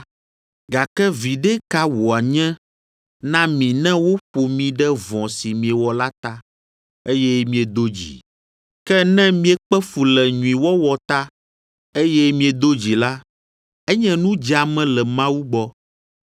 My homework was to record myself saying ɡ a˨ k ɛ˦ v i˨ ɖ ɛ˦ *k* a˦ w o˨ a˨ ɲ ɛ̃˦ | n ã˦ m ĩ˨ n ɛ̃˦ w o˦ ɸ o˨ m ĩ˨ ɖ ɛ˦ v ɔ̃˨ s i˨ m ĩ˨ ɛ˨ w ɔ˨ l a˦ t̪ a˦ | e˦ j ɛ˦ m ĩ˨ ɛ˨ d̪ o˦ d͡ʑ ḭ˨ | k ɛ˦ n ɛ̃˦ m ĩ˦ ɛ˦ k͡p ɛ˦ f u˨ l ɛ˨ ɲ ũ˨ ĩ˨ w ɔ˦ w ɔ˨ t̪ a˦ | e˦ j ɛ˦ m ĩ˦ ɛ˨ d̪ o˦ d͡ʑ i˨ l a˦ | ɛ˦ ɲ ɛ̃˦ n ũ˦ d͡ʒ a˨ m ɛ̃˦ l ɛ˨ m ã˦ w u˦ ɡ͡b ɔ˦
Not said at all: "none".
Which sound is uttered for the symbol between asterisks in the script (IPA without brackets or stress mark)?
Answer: k